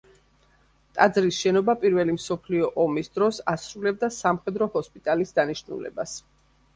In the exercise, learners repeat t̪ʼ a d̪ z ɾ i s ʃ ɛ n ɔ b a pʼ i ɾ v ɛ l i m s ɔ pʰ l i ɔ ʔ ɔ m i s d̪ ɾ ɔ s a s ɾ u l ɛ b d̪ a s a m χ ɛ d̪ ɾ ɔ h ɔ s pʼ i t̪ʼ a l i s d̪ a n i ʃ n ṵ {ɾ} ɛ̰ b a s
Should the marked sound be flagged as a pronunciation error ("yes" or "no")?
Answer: yes